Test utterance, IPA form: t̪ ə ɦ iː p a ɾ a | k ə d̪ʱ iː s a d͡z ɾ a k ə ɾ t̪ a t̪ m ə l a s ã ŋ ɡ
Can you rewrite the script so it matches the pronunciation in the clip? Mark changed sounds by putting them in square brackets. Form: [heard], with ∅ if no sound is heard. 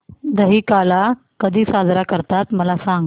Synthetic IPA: [d̪] ə ɦ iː [k] a [l] a | k ə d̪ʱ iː s a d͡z ɾ a k ə ɾ t̪ a t̪ m ə l a s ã ŋ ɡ